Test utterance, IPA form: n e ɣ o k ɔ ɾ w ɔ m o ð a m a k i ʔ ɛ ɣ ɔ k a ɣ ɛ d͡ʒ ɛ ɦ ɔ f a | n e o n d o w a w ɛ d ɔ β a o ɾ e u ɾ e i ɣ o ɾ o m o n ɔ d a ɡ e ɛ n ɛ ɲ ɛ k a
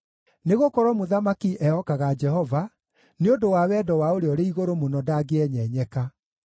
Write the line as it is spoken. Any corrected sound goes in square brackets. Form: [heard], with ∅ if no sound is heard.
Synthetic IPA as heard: n e ɣ o k ɔ ɾ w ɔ m o ð a m a k i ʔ ɛ [∅] ɔ k a ɣ [a] d͡ʒ ɛ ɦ ɔ [v] a | n e o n d o w a w ɛ d ɔ [w] a o ɾ e [ɔ] ɾ e i ɣ o ɾ o m o n ɔ d a ɡ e ɛ [ɲ] ɛ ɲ ɛ k a